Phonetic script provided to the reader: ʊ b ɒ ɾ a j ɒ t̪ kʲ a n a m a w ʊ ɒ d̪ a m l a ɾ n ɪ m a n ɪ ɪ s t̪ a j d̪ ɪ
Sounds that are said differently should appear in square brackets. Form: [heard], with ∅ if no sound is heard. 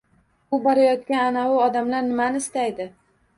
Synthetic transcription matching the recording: ʊ b ɒ ɾ a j ɒ t̪ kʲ a n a [n] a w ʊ ɒ d̪ a m l a ɾ n ɪ m a n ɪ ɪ s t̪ a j d̪ ɪ